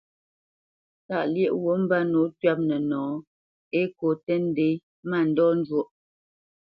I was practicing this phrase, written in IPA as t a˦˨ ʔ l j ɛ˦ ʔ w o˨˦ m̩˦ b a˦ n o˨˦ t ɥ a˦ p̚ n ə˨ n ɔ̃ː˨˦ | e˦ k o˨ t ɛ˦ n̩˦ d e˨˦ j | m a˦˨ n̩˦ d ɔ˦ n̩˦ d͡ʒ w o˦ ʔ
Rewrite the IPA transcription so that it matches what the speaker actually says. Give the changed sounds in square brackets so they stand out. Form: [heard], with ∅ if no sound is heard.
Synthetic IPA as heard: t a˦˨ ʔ l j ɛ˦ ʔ w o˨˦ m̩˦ b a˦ n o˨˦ t ɥ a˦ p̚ n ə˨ n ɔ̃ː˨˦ | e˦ k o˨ t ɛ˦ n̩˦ d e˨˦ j | m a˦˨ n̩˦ d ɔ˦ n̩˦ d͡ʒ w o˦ ʔ